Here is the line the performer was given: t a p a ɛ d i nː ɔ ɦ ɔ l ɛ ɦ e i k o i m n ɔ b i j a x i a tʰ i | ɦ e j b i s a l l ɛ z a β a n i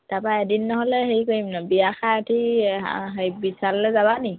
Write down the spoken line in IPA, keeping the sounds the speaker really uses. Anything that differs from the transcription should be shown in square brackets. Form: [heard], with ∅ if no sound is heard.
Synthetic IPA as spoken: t a p a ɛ d i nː ɔ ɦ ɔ l ɛ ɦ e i k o i m n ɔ b i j a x [a] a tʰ i | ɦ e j b i s a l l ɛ z a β a n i